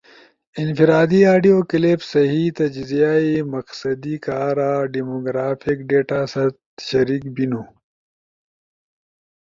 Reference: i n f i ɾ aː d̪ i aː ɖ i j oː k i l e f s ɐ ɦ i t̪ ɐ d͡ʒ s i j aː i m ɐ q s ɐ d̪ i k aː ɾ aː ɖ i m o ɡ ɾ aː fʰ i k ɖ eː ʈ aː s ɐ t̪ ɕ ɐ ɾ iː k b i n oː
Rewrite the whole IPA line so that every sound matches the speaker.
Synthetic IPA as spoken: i n f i ɾ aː d̪ i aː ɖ i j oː k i l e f s ɐ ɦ i t̪ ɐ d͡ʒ z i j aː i m ɐ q s ɐ d̪ i k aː ɾ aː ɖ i m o ɡ ɾ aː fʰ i k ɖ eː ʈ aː s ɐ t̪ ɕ ɐ ɾ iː k b i n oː